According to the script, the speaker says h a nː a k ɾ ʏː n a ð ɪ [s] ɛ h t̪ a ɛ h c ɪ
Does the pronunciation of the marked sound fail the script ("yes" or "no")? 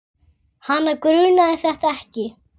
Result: yes